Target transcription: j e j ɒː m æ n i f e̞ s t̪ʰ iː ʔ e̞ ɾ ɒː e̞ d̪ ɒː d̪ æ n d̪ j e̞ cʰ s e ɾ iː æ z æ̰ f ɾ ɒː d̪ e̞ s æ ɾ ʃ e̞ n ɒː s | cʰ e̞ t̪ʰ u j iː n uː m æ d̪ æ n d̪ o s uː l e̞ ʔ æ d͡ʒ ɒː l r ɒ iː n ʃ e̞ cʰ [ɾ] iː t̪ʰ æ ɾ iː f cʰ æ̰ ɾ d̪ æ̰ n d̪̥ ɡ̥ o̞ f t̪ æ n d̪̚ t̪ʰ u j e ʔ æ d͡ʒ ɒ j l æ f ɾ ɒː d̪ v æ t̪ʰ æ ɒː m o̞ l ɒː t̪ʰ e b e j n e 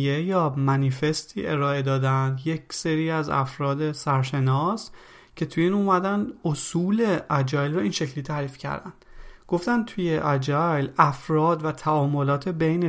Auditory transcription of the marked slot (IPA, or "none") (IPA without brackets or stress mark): l